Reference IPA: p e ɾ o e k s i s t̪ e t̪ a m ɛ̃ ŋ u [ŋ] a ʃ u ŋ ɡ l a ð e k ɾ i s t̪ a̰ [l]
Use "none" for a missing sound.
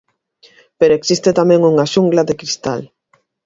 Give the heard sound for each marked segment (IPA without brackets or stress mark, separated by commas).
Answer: ŋ, l